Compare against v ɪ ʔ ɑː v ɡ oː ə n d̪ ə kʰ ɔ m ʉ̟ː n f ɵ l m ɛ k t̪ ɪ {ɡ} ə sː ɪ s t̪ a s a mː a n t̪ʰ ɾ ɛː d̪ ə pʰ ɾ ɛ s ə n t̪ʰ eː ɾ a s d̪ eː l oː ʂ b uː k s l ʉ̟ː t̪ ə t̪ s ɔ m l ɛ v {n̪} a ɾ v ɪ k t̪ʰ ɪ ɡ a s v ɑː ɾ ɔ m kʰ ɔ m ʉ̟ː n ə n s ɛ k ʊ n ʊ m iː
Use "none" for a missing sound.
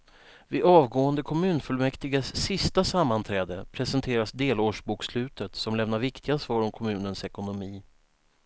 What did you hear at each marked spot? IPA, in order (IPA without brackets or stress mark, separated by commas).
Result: ɡ, n̪